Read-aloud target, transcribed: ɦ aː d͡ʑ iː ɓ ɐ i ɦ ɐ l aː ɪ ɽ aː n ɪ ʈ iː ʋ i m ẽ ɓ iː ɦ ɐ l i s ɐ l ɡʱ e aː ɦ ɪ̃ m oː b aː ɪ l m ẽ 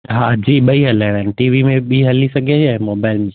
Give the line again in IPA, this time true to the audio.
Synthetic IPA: ɦ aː d͡ʑ iː ɓ ɐ i ɦ ɐ l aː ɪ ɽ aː n ɪ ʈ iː ʋ i m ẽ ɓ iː ɦ ɐ l i s ɐ ɡʱ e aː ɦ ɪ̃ m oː b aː ɪ l m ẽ